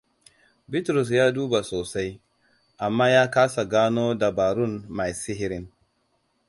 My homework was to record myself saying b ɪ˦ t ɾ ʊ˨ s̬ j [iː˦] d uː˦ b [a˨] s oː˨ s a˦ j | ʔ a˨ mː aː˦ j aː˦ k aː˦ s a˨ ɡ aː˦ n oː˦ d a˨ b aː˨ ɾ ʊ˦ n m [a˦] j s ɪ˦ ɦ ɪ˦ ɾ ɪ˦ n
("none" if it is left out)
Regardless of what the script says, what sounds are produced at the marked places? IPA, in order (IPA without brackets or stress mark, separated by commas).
aː˦, a˨, a˨